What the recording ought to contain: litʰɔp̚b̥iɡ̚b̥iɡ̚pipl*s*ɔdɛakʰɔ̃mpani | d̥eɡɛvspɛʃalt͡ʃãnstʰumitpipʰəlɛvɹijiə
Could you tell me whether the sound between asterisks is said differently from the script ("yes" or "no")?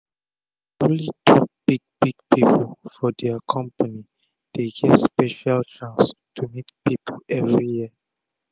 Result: yes